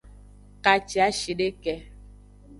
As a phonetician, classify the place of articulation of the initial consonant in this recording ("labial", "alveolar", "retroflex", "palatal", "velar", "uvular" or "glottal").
velar